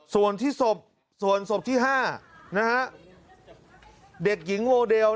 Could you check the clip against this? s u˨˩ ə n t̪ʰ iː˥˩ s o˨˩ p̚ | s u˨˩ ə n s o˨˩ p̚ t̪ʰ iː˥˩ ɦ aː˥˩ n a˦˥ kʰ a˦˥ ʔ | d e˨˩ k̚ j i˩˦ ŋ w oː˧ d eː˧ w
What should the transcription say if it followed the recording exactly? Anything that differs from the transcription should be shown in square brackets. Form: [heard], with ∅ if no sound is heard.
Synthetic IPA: s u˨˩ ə n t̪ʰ iː˥˩ s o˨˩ p̚ | s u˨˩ ə n s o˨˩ p̚ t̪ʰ iː˥˩ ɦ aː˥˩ n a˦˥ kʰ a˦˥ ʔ | d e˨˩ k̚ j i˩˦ ŋ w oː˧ d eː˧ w